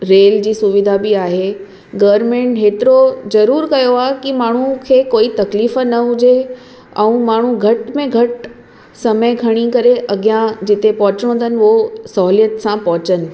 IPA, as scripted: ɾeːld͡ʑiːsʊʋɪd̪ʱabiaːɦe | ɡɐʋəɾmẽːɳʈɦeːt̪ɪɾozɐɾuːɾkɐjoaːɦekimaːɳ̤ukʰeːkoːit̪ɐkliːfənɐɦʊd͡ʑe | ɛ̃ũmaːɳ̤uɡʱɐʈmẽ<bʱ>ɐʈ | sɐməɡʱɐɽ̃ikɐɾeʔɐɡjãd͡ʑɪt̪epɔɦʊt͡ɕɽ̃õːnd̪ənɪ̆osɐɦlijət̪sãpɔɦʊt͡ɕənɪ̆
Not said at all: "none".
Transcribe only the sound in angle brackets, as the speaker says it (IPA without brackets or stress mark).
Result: ɡʱ